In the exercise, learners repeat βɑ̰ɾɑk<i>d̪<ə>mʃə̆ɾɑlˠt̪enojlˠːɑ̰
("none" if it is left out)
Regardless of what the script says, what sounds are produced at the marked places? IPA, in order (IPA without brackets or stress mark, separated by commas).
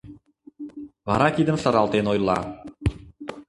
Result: i, ə